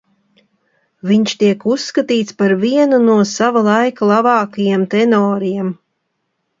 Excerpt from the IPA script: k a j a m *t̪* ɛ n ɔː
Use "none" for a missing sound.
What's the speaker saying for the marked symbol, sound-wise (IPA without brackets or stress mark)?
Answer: t̪